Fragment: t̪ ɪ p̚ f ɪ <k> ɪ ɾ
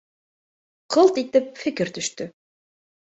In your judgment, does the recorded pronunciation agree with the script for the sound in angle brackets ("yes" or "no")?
yes